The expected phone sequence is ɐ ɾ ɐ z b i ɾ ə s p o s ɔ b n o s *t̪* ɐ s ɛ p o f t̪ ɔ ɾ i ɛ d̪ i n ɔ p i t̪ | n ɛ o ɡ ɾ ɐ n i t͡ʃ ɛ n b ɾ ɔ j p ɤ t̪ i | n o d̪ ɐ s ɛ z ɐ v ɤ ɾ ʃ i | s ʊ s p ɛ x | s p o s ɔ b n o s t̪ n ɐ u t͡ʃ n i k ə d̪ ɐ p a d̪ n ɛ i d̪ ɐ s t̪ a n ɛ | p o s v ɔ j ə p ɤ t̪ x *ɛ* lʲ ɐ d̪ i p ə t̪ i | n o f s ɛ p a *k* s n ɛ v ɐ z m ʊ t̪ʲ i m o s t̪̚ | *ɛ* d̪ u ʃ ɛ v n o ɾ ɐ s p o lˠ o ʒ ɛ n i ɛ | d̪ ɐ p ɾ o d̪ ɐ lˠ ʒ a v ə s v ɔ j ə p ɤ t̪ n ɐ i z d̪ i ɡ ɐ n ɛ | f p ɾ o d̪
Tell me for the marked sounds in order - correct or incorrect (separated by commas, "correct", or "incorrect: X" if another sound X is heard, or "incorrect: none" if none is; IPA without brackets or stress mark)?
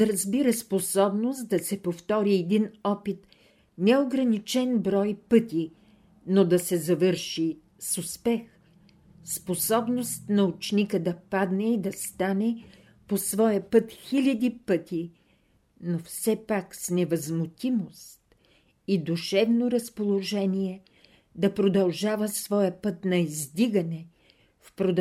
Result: incorrect: d̪, incorrect: i, correct, incorrect: i